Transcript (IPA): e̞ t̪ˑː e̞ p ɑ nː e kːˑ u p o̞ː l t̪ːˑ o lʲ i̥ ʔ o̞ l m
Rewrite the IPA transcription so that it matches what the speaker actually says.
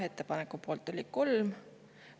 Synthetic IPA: e̞ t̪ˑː e̞ p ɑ n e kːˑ u p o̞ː l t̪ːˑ o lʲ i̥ k o̞ l m